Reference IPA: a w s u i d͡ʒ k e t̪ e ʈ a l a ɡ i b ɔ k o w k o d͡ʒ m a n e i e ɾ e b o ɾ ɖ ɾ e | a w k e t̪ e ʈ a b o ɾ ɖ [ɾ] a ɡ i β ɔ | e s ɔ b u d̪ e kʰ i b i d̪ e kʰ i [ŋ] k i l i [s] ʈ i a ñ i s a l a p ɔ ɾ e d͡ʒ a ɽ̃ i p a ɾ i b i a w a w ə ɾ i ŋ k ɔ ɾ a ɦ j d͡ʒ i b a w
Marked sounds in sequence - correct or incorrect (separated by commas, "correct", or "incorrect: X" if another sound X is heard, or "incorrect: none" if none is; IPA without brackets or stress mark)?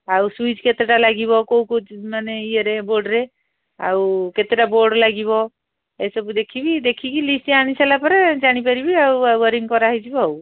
incorrect: l, incorrect: none, correct